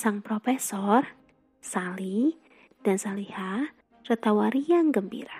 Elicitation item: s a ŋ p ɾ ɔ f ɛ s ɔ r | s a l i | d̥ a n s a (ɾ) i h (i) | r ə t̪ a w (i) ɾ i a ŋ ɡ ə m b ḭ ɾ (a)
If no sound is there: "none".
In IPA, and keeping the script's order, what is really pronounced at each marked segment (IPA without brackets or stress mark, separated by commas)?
l, a, a, a